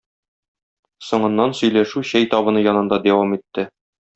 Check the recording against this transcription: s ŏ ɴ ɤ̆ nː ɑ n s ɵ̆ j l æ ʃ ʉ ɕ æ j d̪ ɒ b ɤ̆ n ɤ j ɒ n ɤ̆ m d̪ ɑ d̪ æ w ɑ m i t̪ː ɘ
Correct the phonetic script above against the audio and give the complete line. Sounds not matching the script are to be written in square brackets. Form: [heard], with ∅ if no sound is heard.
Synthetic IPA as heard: s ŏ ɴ ɤ̆ nː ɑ n s ɵ̆ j l æ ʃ ʉ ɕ æ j [t̪] ɒ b ɤ̆ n ɤ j ɒ n ɤ̆ [n] d̪ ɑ d̪ æ w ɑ m i t̪ː ɘ